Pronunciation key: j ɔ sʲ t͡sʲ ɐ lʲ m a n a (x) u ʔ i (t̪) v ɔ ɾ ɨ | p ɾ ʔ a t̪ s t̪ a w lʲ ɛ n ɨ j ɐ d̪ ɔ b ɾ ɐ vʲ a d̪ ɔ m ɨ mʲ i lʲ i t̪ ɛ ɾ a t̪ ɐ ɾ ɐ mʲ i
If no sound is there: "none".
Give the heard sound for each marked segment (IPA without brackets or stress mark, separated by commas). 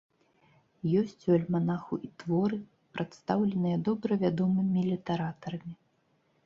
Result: x, t̪